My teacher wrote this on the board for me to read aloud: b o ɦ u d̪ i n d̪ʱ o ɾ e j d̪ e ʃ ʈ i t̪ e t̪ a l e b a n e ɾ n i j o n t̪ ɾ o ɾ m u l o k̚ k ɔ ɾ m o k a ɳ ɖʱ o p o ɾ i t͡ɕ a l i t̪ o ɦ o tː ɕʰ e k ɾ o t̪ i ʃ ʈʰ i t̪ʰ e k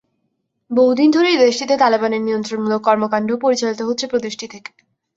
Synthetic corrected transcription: b o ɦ u d̪ i n d̪ʱ o ɾ e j d̪ e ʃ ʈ i t̪ e t̪ a l e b a n e ɾ n i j o n t̪ ɾ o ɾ m u l o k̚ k ɔ ɾ m o k a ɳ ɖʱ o p o ɾ i t͡ɕ a l i t̪ o ɦ o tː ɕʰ e p ɾ o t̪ i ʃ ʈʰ i t̪ʰ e k